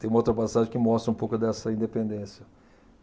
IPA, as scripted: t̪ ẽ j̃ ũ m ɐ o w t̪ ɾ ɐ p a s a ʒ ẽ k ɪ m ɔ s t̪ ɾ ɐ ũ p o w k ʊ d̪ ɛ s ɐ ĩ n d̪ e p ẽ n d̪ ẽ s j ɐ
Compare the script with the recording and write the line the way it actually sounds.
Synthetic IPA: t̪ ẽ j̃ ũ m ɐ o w t̪ ɾ ɐ p a s a ʒ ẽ k ɪ m ɔ s t̪ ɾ ɐ ũ p o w k ʊ d̪ ɛ s ɐ ĩ n d̪ e p ẽ n d̪ ẽ s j ɐ